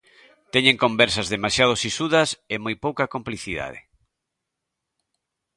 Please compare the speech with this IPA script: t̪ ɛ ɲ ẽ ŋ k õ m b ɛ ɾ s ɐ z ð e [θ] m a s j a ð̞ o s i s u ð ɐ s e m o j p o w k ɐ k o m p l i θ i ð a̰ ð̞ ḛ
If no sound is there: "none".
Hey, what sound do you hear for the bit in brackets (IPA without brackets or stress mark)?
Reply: none